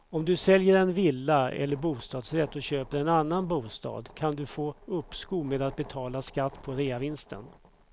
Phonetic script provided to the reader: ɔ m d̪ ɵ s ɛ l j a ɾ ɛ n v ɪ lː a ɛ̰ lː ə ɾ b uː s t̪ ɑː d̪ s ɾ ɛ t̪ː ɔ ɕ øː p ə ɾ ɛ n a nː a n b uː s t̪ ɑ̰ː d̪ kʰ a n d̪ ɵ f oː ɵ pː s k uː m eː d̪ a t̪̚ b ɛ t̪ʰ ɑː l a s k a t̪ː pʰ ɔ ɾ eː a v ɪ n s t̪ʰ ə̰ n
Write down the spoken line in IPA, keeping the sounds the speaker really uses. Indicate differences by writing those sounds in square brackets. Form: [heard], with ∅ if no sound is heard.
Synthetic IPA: ɔ m d̪ ɵ s ɛ l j [ə] ɾ ɛ n v ɪ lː a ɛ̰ lː ə ɾ b uː s t̪ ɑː d̪ s ɾ ɛ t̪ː ɔ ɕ øː p ə ɾ ɛ n a nː a n b uː s t̪ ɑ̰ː d̪ kʰ a n d̪ ɵ f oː ɵ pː s k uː m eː d̪ a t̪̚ b ɛ t̪ʰ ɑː l a s k a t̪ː pʰ ɔ ɾ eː a v ɪ n s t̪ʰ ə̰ n